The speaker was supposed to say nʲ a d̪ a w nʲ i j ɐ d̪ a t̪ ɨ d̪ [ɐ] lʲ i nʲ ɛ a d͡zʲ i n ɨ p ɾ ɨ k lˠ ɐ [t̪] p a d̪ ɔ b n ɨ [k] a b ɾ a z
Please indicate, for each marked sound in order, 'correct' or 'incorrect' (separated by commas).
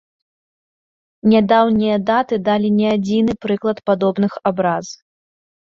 incorrect, correct, incorrect